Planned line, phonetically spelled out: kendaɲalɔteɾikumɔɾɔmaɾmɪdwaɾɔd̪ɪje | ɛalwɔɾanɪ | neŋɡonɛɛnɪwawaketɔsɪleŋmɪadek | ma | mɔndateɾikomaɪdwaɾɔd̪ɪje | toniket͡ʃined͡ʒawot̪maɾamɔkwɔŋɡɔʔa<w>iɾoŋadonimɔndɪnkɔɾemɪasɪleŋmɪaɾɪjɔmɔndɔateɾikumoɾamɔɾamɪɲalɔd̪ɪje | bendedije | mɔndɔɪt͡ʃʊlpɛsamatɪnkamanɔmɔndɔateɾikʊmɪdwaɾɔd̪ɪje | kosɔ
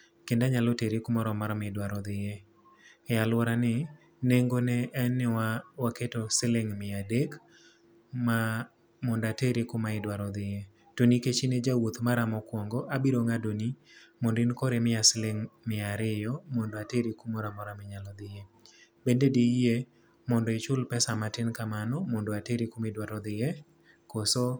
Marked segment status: incorrect: b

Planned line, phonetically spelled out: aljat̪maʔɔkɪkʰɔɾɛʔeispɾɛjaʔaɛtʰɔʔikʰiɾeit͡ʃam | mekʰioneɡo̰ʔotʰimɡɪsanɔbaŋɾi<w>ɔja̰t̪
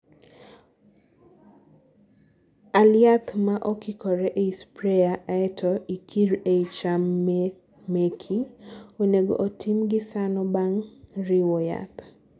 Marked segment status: correct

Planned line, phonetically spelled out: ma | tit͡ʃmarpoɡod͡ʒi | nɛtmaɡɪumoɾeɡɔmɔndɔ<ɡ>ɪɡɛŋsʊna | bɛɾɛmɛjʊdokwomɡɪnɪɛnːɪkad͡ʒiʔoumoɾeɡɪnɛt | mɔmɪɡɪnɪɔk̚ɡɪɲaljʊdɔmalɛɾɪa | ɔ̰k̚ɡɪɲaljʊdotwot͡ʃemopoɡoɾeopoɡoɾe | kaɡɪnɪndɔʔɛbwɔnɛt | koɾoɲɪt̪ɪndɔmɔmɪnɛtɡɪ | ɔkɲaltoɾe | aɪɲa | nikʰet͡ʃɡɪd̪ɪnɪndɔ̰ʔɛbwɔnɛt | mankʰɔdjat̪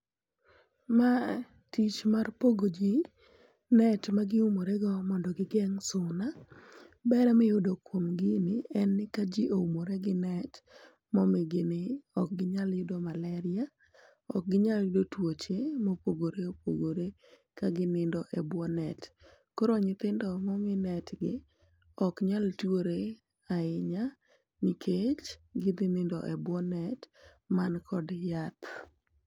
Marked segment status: correct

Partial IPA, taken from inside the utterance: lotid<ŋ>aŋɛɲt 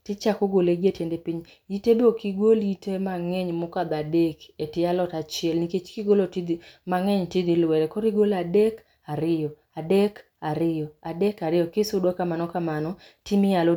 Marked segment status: incorrect: m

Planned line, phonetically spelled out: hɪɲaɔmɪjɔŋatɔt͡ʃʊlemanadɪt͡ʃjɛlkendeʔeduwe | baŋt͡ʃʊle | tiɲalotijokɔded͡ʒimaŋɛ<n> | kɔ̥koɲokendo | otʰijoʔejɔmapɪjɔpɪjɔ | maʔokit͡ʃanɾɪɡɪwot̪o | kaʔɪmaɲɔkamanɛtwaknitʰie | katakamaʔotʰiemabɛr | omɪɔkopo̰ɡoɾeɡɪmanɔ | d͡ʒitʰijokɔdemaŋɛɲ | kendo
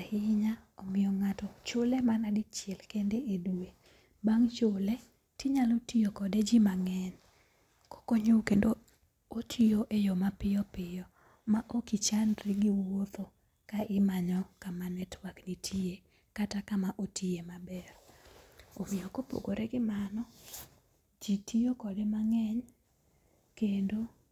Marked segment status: correct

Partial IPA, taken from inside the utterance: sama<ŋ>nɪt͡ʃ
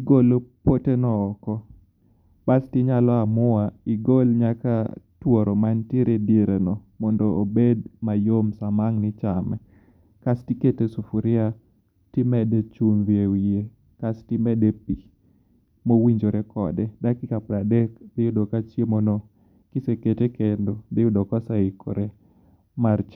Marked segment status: correct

